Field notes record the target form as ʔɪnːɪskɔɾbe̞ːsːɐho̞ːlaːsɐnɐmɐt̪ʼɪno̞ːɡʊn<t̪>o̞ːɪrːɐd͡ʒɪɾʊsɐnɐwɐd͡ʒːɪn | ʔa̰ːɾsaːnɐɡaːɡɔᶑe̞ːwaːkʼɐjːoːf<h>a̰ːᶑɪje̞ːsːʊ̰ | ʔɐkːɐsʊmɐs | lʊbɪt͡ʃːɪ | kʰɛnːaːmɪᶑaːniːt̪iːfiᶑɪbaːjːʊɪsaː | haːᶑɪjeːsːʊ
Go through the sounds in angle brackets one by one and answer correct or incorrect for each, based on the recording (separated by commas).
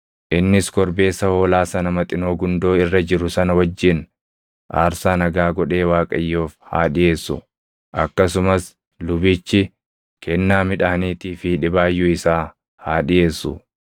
incorrect, correct